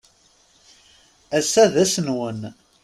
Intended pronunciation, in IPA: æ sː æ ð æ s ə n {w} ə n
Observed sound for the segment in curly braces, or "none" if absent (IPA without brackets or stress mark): w